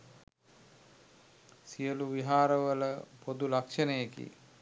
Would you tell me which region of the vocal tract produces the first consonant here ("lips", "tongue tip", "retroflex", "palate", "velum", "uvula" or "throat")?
tongue tip